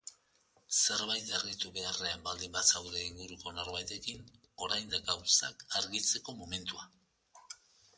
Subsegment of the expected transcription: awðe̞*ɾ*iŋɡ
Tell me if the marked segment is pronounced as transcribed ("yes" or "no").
no